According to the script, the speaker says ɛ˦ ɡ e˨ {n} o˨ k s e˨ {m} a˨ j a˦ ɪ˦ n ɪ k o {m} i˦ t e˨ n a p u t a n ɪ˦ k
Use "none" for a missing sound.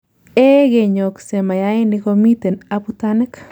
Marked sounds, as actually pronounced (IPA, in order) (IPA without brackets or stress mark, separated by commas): ɲ, m, m